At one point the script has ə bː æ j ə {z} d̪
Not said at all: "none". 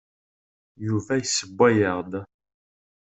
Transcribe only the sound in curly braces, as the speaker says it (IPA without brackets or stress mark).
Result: ʁ